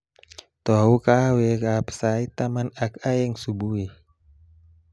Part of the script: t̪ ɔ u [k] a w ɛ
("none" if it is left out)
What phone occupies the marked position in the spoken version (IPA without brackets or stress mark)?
k